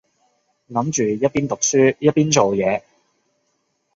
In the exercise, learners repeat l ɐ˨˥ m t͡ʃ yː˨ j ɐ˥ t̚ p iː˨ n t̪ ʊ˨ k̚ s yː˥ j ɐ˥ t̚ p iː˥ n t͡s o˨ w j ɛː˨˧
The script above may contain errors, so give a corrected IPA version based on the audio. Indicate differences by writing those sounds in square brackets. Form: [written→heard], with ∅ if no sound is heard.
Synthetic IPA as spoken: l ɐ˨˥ m t͡ʃ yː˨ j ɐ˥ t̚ p [iː˨→iː˥] n t̪ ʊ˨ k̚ s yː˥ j ɐ˥ t̚ p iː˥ n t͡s o˨ w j ɛː˨˧